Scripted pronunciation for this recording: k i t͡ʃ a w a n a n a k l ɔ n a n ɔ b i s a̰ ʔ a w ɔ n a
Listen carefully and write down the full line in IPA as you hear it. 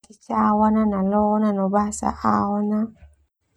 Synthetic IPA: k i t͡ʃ a w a n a n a l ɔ n a n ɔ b a s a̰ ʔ a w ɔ n a